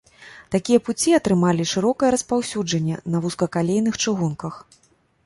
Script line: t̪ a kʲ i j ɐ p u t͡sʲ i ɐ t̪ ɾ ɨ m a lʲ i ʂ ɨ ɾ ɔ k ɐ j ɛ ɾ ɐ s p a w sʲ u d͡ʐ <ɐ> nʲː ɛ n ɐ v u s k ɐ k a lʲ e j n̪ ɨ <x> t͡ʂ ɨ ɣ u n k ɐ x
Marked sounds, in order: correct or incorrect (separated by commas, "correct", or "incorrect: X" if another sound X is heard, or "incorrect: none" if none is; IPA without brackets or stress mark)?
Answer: correct, correct